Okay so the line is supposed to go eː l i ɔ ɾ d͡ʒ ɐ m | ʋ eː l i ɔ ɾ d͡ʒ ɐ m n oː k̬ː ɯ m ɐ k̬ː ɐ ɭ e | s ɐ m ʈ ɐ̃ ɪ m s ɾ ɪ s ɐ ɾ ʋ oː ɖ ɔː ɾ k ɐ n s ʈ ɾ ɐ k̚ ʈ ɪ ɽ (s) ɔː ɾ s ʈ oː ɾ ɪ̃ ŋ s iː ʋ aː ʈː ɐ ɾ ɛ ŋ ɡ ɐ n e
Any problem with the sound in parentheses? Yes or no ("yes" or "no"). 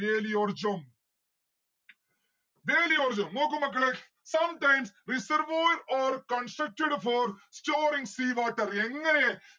yes